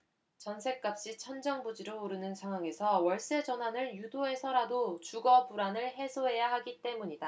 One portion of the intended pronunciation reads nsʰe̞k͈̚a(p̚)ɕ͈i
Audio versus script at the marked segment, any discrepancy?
no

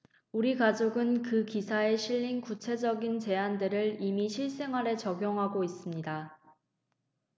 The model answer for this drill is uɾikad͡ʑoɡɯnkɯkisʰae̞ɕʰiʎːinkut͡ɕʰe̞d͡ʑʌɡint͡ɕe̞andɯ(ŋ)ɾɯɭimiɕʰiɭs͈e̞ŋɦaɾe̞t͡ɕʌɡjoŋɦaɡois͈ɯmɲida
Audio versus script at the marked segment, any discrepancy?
yes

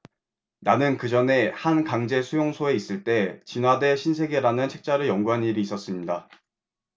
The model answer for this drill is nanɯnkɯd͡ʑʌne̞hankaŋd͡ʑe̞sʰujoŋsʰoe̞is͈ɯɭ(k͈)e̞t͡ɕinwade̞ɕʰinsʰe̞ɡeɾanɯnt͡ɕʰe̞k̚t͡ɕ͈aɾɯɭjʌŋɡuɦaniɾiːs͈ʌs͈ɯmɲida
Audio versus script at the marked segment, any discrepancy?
yes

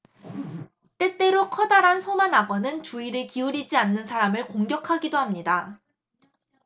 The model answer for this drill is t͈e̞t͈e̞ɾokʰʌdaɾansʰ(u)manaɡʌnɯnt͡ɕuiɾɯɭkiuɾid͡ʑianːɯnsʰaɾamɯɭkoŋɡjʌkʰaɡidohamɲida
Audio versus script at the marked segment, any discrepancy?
yes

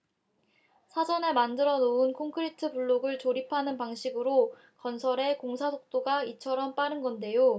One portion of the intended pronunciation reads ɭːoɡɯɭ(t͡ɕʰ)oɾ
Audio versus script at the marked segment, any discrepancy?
yes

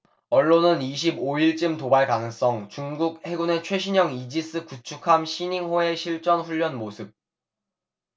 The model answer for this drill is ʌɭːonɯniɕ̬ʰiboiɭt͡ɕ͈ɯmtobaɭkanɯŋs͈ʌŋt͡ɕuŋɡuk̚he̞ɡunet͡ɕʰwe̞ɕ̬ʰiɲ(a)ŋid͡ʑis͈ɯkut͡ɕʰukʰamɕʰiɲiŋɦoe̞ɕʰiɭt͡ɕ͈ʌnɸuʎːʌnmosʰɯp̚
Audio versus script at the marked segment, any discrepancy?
yes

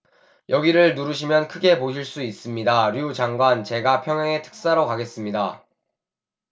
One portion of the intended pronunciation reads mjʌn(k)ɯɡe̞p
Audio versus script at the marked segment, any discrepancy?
yes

